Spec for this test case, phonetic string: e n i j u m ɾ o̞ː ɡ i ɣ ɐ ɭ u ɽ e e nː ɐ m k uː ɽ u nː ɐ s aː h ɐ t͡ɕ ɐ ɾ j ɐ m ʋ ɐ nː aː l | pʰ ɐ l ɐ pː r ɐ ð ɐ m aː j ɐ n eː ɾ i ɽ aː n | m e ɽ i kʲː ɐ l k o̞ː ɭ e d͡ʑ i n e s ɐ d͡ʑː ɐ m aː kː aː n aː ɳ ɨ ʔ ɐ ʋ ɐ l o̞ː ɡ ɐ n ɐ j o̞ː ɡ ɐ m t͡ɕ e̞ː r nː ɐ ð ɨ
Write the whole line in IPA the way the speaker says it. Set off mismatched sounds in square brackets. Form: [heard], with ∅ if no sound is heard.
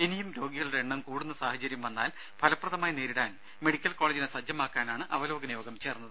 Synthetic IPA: e n i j u m ɾ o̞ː ɡ i ɣ ɐ ɭ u ɽ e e [ɳː] ɐ m k uː ɽ u nː ɐ s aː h ɐ t͡ɕ ɐ ɾ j ɐ m ʋ ɐ nː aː l | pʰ ɐ l ɐ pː r ɐ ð ɐ m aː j ɐ n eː ɾ i ɽ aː n | m e ɽ i kʲː ɐ l k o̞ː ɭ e d͡ʑ i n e s ɐ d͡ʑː ɐ m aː kː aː n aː ɳ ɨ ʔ ɐ ʋ ɐ l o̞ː ɡ ɐ n ɐ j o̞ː ɡ ɐ m t͡ɕ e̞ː r nː ɐ ð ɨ